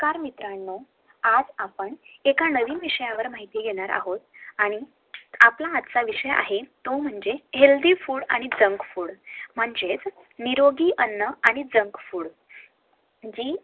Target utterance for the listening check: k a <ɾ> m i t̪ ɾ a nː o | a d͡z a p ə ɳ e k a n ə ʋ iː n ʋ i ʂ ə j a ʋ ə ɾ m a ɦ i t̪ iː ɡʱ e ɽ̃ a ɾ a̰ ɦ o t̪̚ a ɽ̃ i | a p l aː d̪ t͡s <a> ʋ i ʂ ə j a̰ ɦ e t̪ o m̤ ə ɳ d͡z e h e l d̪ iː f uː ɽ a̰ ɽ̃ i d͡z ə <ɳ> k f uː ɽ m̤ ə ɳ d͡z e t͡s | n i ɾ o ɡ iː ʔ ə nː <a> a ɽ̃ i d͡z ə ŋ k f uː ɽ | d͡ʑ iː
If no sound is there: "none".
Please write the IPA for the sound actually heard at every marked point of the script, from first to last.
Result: ɾ, a, ŋ, ə

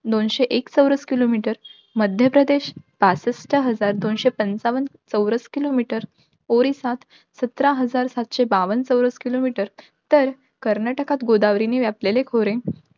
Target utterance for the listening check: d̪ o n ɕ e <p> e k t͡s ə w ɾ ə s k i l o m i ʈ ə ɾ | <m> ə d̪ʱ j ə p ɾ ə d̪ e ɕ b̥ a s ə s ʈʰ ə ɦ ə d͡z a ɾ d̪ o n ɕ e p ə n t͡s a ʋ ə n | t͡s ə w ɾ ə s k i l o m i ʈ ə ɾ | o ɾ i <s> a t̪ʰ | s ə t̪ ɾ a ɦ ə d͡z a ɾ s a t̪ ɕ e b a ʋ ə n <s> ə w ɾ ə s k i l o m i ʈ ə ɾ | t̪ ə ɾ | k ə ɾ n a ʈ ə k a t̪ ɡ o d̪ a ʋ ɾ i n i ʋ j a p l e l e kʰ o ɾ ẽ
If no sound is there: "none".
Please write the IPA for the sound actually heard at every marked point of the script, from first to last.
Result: ʔ, m, s, t͡s

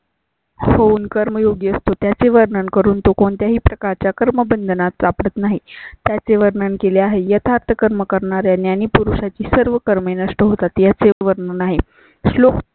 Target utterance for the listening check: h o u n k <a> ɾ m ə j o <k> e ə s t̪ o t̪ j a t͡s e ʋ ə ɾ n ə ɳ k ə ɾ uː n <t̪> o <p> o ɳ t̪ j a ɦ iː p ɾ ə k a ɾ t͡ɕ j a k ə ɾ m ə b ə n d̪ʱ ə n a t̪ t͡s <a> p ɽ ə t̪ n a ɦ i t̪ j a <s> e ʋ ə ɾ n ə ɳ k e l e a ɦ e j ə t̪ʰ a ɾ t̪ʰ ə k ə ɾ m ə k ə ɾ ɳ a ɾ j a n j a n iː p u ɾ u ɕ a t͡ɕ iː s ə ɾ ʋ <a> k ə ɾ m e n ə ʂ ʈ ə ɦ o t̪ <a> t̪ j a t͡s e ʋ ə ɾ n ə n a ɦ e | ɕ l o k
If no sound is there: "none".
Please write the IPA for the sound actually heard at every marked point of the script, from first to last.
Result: ə, ɡ, t̪, k, a, t͡s, ə, a

